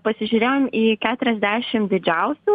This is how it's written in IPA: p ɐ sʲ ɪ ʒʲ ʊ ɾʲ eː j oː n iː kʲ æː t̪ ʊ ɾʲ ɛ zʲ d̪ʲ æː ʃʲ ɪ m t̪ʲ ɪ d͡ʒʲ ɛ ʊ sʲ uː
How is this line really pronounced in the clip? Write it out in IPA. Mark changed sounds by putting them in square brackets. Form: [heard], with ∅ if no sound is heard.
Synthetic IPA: p ɐ sʲ ɪ ʒʲ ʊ ɾʲ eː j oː [m] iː kʲ æː t̪ ʊ ɾʲ ɛ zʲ d̪ʲ æː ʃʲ ɪ m [d̪ʲ] ɪ d͡ʒʲ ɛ ʊ sʲ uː